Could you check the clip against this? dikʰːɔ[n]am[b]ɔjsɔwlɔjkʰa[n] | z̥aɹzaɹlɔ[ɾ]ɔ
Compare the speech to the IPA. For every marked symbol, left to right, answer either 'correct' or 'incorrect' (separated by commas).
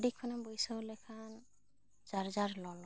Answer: correct, correct, correct, incorrect